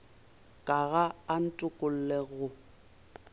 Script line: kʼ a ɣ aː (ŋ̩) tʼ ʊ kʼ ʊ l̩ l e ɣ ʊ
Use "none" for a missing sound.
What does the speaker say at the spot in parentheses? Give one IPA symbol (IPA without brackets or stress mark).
n̩